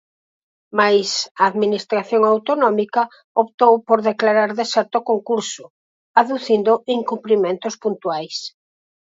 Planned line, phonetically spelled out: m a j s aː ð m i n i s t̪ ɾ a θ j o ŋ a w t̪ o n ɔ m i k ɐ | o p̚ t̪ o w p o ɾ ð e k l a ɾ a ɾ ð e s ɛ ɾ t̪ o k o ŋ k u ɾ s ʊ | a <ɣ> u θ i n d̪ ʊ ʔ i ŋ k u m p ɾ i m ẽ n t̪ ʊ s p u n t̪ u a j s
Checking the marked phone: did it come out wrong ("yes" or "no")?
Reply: yes